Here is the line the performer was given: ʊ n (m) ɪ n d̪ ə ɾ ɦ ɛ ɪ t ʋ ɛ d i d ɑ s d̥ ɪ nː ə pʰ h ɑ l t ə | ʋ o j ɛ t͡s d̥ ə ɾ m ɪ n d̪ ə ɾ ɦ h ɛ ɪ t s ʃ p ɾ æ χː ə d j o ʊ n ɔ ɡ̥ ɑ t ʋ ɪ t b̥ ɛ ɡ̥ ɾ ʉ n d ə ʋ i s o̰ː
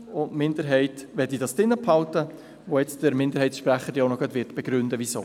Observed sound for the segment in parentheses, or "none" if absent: m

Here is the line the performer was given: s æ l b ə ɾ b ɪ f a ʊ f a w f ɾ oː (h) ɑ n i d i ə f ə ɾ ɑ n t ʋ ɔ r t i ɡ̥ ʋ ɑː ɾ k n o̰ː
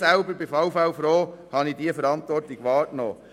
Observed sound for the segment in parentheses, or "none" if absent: h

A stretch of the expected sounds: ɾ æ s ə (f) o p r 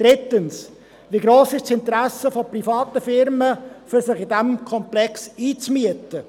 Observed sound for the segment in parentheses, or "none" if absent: f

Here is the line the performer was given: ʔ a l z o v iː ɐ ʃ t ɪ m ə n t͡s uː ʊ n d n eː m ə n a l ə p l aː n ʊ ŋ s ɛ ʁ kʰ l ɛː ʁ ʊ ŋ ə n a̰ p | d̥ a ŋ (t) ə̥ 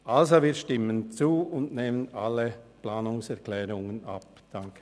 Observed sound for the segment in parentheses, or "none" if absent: k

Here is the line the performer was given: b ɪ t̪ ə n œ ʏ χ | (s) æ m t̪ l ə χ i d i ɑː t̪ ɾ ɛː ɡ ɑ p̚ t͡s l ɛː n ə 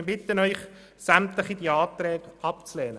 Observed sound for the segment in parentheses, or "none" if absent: s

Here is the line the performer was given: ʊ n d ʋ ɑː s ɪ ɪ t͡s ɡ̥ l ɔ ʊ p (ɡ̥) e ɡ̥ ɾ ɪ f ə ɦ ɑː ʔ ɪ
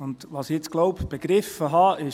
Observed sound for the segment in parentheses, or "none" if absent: b̥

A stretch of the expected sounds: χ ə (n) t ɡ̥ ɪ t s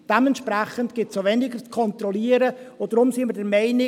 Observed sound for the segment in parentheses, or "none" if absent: n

